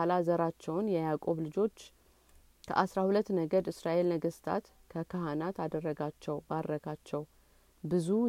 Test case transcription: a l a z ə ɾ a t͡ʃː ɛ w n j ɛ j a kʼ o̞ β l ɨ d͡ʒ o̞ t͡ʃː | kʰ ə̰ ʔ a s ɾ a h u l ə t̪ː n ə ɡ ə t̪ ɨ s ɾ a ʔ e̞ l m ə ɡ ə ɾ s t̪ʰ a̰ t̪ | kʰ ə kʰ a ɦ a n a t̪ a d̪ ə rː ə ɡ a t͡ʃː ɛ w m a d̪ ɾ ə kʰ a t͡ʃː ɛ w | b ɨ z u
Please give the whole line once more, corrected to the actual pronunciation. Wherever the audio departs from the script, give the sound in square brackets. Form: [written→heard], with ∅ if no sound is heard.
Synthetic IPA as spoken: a l a z ə ɾ a t͡ʃː ɛ w n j ɛ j a kʼ o̞ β l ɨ d͡ʒ o̞ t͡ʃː | kʰ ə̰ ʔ a s ɾ a h u l ə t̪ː n ə ɡ ə [t̪→d̪] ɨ s ɾ a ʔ e̞ l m ə ɡ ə [ɾ→∅] s t̪ʰ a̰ t̪ | kʰ ə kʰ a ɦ a n a t̪ a d̪ ə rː ə ɡ a t͡ʃː ɛ w [m→b] a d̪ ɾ ə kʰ a t͡ʃː ɛ w | b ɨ z u